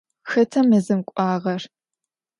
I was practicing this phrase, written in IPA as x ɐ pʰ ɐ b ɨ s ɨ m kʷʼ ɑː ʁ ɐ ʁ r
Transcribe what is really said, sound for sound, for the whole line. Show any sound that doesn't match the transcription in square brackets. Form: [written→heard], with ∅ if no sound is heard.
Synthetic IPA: x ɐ [pʰ→tʰ] ɐ [b→m] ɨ [s→z] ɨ m kʷʼ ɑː ʁ ɐ [ʁ→∅] r